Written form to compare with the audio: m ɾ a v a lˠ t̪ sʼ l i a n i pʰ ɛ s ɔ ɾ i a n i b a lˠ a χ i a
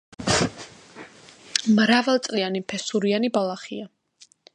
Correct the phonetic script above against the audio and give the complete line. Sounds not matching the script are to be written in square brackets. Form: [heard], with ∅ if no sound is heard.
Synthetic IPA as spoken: m ɾ a v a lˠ t̪ sʼ l i a n i pʰ ɛ s [u] ɾ i a n i b a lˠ a χ i a